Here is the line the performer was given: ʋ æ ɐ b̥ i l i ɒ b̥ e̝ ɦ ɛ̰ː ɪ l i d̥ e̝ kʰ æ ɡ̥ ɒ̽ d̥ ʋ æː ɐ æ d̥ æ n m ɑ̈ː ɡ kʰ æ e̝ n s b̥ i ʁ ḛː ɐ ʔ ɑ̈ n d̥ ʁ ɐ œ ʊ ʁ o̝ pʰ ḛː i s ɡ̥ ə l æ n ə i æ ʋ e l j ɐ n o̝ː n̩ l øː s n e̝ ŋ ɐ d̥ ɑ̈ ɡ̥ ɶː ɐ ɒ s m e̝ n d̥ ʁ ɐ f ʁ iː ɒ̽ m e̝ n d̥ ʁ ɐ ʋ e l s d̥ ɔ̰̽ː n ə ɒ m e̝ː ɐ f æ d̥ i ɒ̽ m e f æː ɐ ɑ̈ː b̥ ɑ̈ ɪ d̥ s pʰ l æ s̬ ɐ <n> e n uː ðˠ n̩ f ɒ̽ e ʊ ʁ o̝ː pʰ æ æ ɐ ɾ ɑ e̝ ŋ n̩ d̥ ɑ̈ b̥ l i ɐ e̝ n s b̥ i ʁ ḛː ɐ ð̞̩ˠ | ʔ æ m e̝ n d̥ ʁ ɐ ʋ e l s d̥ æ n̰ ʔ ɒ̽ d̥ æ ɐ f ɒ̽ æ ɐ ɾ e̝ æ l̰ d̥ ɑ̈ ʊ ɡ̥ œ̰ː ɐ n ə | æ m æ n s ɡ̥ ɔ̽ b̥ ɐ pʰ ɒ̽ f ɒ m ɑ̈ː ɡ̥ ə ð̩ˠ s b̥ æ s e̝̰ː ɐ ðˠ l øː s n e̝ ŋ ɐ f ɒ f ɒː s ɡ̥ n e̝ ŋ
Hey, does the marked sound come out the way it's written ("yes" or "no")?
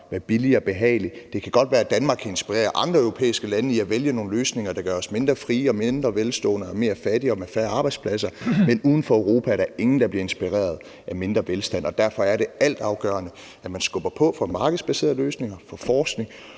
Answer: no